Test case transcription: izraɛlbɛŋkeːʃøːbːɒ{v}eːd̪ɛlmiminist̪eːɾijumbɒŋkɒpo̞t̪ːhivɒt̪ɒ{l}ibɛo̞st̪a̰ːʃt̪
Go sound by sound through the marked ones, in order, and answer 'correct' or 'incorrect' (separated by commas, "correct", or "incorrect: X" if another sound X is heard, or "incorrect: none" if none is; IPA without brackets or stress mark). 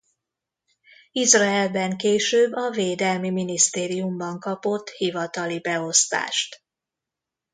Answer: correct, correct